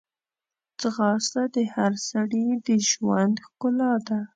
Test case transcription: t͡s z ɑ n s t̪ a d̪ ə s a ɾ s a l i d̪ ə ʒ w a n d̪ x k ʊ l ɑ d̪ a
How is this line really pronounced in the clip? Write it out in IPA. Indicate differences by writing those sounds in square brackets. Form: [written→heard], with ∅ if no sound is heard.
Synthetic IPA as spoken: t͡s [z→ɣ] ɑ [n→∅] s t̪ a d̪ ə [s→h] a ɾ s a [l→ɽ] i d̪ ə ʒ w a n d̪ x k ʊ l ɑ d̪ a